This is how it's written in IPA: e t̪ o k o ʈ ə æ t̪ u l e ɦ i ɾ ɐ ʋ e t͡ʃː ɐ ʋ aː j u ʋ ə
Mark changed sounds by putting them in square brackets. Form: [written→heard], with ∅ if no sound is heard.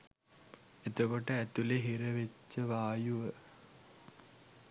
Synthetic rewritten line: e t̪ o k o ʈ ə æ t̪ u l e ɦ i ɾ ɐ ʋ e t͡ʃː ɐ ʋ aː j u ʋ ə